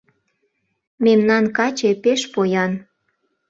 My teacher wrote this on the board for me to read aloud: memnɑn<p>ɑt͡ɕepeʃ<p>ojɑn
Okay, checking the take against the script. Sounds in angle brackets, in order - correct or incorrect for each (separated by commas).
incorrect, correct